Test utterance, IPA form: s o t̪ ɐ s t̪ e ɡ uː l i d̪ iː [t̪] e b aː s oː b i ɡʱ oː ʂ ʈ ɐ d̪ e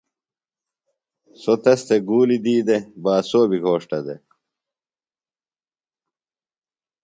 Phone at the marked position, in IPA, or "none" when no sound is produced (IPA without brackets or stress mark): d̪